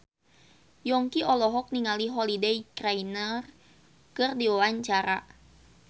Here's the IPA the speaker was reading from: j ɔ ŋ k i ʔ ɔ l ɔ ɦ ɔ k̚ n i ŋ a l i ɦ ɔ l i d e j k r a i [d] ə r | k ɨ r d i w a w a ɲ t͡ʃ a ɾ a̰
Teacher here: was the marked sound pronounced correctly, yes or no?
no